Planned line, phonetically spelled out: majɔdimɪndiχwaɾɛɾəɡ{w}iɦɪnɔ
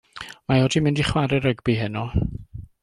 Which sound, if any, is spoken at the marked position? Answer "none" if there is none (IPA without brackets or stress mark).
b